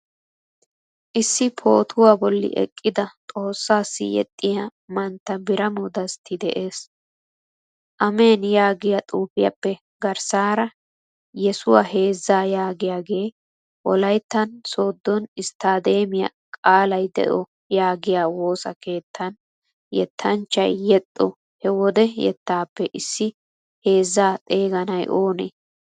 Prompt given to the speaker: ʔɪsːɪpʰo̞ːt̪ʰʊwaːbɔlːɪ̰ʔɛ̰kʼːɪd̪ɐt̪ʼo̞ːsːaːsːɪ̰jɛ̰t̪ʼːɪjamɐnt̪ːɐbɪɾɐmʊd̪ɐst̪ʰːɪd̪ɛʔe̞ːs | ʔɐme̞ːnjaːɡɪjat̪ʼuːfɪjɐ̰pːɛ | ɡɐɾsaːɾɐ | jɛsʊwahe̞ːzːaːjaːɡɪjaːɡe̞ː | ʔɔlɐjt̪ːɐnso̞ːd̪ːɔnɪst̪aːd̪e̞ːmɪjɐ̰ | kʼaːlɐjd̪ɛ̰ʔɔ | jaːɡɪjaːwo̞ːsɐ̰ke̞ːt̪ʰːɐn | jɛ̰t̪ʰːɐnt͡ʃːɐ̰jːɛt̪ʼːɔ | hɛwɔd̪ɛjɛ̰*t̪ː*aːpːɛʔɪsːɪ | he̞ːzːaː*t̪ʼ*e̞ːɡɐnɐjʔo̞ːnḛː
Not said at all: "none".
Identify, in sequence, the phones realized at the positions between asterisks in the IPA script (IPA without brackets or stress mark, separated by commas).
t̪ː, t̪ʼ